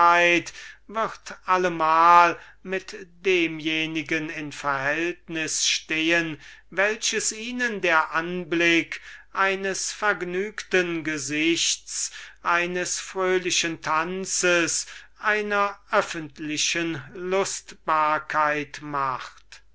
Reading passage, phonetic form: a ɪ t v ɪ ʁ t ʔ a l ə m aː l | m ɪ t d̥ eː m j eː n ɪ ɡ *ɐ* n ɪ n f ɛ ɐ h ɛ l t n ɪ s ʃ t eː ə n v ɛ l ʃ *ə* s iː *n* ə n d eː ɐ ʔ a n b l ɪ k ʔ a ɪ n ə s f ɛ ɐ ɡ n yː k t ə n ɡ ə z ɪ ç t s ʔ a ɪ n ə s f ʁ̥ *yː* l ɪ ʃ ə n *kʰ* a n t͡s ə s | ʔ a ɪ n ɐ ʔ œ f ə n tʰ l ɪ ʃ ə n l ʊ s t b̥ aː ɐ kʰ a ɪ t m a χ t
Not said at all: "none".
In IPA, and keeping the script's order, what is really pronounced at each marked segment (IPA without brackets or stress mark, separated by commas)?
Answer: ə, ə, n, øː, tʰ